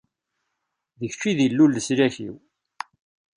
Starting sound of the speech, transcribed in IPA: ð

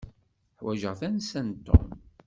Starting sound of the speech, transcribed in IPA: ħ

